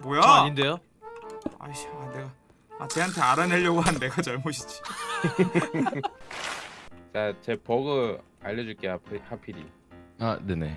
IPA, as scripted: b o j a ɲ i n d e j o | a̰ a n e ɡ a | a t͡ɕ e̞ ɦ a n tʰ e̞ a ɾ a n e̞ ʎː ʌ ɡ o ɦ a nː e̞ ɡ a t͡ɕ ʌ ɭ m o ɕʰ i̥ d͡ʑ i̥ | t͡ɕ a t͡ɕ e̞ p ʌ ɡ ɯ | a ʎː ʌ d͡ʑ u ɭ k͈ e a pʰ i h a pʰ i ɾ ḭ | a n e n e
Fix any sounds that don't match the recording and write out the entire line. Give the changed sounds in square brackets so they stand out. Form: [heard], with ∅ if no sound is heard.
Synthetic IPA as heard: b o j a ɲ i n d e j o | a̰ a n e ɡ a | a t͡ɕ e̞ ɦ a n tʰ e̞ a ɾ a n e̞ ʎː ʌ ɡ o ɦ a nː e̞ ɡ a t͡ɕ ʌ ɭ m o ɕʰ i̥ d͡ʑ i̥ | t͡ɕ a t͡ɕ e̞ p ʌ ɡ ɯ | a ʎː ʌ d͡ʑ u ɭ k͈ e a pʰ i h a pʰ i ɾ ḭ | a n e n e